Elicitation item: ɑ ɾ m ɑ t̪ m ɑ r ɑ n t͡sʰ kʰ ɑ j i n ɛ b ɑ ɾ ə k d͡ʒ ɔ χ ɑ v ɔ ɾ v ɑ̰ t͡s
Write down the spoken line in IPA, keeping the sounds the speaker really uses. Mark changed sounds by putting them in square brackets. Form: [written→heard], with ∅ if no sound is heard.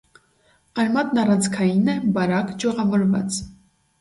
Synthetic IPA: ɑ ɾ m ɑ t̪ [m→n] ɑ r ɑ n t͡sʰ kʰ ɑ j i n ɛ b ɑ ɾ [ə→ɑ] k d͡ʒ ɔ [χ→ʁ] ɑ v ɔ ɾ v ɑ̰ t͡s